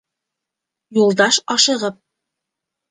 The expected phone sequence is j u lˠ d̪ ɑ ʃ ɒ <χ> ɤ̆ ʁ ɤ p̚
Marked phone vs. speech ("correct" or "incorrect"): incorrect